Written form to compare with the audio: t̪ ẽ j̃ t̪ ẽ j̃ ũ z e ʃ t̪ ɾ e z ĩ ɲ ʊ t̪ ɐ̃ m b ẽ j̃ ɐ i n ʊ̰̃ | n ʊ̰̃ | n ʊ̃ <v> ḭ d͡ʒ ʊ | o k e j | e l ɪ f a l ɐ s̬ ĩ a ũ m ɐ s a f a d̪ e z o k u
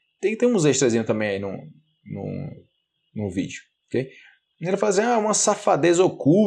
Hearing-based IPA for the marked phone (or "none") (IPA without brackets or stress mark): v